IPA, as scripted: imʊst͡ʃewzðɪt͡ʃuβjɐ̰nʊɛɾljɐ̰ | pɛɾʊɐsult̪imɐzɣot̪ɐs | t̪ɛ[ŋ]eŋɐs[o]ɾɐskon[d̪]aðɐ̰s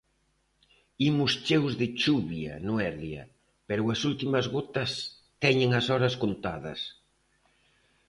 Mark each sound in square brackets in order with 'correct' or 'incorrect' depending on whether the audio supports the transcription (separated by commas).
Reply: incorrect, incorrect, incorrect